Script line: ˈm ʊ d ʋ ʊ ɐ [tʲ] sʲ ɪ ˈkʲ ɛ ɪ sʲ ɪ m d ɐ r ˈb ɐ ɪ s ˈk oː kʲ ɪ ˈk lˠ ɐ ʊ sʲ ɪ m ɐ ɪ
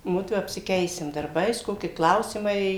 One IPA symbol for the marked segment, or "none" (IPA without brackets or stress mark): pʲ